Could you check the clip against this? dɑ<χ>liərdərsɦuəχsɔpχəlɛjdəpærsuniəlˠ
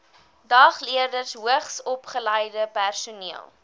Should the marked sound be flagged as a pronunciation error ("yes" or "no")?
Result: no